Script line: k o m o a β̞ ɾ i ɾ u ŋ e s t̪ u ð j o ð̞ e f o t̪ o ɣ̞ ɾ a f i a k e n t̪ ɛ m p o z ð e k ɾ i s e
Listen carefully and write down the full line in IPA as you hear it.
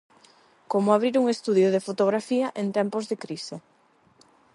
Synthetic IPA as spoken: k o m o a β̞ ɾ i ɾ u ŋ e s t̪ u ð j o ð̞ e f o t̪ o ɣ̞ ɾ a f i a ʔ e n t̪ ɛ m p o z ð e k ɾ i s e

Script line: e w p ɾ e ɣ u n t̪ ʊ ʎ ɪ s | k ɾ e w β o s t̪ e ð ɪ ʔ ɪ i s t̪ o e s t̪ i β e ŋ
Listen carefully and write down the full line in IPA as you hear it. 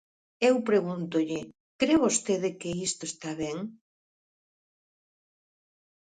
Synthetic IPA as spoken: e w p ɾ e ɣ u n t̪ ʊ ʎ ɪ | k ɾ e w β o s t̪ e ð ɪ k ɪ i s t̪ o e s t̪ a β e ŋ

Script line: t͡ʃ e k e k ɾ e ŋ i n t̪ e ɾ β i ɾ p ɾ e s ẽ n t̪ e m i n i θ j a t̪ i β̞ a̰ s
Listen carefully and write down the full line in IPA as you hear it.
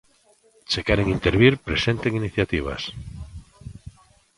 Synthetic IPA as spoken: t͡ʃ e k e ɾ e ŋ i n t̪ e ɾ β i ɾ p ɾ e s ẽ n t̪ e ŋ i n i θ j a t̪ i β̞ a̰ s

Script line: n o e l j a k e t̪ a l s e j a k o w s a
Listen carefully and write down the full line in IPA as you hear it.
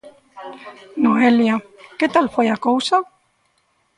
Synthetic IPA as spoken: n o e l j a k e t̪ a l f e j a k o w s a

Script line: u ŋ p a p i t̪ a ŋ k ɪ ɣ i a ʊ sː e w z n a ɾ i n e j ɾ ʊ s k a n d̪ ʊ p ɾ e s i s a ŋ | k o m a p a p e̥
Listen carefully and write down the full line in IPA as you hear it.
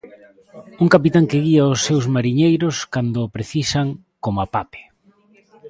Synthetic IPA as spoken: u ŋ k a p i t̪ a ŋ k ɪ ɣ i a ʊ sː e w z m a ɾ i ɲ e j ɾ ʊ s k a n d̪ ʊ p ɾ e θ i s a ŋ | k o m a p a p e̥

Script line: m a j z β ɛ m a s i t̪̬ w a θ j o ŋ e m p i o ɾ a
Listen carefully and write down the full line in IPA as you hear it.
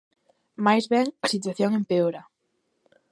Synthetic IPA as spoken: m a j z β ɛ ŋ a s i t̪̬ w a θ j o ŋ e m p e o ɾ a

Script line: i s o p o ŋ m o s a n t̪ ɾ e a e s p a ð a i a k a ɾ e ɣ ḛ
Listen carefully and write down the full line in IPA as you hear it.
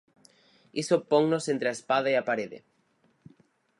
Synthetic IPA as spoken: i s o p o ŋ n o s e n t̪ ɾ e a e s p a ð a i a p a ɾ e ð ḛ

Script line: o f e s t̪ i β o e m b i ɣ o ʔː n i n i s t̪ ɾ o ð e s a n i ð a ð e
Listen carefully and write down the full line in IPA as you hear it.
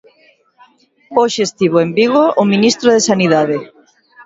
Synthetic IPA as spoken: o ʃ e s t̪ i β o e m b i ɣ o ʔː m i n i s t̪ ɾ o ð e s a n i ð a ð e

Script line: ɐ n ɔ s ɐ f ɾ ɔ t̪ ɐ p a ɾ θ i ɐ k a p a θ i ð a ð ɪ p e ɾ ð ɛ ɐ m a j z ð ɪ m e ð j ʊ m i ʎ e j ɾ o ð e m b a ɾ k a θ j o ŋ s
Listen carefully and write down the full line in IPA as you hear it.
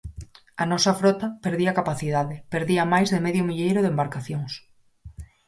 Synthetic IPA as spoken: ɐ n ɔ s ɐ f ɾ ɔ t̪ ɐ p e ɾ ð i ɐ k a p a θ i ð a ð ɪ p e ɾ ð i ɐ m a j z ð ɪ m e ð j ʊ m i ʎ e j ɾ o ð e m b a ɾ k a θ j o ŋ s

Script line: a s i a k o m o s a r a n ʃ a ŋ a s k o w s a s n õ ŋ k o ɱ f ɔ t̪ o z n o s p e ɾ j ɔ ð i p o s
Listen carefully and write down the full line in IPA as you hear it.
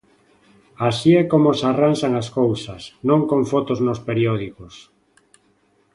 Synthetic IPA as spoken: a s i ɛ k o m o s a r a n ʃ a ŋ a s k o w s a s n õ ŋ k o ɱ f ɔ t̪ o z n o s p e ɾ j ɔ ð i k o s

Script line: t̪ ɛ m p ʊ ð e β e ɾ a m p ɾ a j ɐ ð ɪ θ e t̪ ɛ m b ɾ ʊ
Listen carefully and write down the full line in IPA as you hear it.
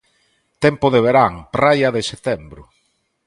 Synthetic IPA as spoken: t̪ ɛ m p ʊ ð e β e ɾ a ŋ p ɾ a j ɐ ð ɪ s e t̪ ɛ m b ɾ ʊ

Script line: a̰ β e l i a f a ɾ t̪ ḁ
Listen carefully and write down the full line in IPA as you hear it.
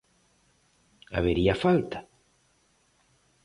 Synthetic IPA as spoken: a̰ β e ɾ i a f a l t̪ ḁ

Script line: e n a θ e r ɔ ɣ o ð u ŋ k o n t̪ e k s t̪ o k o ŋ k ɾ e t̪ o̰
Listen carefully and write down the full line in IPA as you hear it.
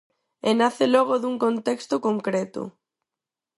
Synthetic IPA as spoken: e n a θ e l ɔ ɣ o ð u ŋ k o n t̪ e k s t̪ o k o ŋ k ɾ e t̪ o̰

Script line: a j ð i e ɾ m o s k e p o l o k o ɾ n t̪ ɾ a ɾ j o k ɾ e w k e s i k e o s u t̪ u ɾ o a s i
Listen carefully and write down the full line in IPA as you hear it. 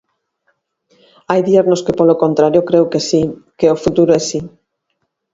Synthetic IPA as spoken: a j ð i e ɾ n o s k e p o l o k o n t̪ ɾ a ɾ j o k ɾ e w k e s i k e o f u t̪ u ɾ o ɛ s i

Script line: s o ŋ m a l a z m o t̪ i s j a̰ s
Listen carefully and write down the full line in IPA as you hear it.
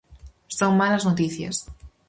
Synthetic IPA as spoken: s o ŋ m a l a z n o t̪ i θ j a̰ s

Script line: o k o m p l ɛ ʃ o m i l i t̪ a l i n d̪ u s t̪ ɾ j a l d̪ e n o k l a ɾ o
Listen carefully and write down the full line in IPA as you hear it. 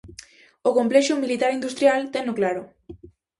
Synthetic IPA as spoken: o k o m p l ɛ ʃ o m i l i t̪ a ɾ i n d̪ u s t̪ ɾ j a l t̪ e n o k l a ɾ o

